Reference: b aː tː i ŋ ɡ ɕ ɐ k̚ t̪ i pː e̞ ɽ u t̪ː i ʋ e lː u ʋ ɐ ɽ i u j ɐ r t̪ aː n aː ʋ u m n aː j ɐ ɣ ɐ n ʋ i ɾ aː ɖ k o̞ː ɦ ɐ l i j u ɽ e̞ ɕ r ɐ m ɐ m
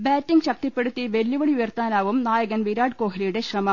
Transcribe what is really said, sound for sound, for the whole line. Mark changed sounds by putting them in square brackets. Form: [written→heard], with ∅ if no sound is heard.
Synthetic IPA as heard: b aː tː i ŋ ɡ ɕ ɐ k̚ t̪ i pː e̞ ɽ u t̪ː i ʋ e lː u ʋ ɐ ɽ i u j ɐ r t̪ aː n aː ʋ u m n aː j ɐ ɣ ɐ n ʋ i ɾ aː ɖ k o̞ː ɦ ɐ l i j u ɽ e̞ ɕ r ɐ m ɐ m